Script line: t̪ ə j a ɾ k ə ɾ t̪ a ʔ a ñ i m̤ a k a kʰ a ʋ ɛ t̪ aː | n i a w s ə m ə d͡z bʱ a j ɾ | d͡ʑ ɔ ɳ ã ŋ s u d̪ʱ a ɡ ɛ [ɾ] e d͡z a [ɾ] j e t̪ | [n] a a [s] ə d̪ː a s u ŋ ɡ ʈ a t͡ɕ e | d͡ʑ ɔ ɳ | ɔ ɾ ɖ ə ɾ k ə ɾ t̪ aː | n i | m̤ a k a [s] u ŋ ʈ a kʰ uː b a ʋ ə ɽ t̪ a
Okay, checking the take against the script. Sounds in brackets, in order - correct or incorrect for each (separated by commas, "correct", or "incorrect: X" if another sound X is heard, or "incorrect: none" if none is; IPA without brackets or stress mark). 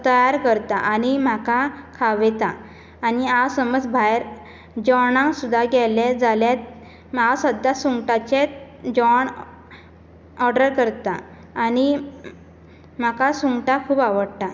incorrect: l, incorrect: l, incorrect: m, correct, correct